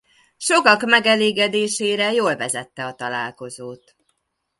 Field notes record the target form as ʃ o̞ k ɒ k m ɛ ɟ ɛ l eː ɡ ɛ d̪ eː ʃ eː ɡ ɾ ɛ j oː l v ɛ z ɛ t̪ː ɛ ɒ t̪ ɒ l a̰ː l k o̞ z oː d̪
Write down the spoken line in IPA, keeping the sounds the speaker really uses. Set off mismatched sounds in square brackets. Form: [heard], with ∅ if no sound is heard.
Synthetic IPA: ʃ o̞ k ɒ k m ɛ [ɡ] ɛ l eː ɡ ɛ d̪ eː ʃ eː [∅] ɾ ɛ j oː l v ɛ z ɛ t̪ː ɛ ɒ t̪ ɒ l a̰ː l k o̞ z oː [t̪]